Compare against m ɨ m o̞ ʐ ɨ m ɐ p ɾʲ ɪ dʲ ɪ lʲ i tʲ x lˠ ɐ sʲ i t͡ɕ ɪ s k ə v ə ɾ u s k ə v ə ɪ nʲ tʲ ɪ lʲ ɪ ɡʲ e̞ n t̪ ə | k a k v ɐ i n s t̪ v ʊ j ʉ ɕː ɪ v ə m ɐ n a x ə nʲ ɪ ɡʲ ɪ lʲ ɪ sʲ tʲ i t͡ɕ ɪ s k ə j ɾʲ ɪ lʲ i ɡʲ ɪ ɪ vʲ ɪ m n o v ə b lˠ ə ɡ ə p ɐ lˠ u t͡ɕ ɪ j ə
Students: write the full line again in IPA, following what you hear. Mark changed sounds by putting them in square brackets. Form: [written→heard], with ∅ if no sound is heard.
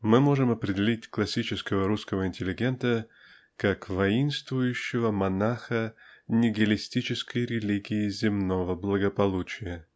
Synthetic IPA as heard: m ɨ m o̞ ʐ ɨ m ɐ p ɾʲ ɪ dʲ ɪ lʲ i tʲ [x→k] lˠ ɐ sʲ i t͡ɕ ɪ s k ə v ə ɾ u s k ə v ə ɪ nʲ tʲ ɪ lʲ ɪ ɡʲ e̞ n t̪ ə | k a k v ɐ i n s t̪ v ʊ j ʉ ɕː ɪ v ə m ɐ n a x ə nʲ ɪ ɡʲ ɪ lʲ ɪ sʲ tʲ i t͡ɕ ɪ s k ə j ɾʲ ɪ lʲ i ɡʲ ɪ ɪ [vʲ→zʲ] ɪ m n o v ə b lˠ ə ɡ ə p ɐ lˠ u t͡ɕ ɪ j ə